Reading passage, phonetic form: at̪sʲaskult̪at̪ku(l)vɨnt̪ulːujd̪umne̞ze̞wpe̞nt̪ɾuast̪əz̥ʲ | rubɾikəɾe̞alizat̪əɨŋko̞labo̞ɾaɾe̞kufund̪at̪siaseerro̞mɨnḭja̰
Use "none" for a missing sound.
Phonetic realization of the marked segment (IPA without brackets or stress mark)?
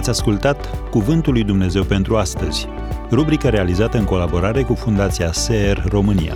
none